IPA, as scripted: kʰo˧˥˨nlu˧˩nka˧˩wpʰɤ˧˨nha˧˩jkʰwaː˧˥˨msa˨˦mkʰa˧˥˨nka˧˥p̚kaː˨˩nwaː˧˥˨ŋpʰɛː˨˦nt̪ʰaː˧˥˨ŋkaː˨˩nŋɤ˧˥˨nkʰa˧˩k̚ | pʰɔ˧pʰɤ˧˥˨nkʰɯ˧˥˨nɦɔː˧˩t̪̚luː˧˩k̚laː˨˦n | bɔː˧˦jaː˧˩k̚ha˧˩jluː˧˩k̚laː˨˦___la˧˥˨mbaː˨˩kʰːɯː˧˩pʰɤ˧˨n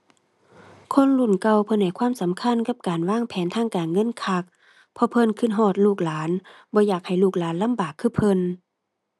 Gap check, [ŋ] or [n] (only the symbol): n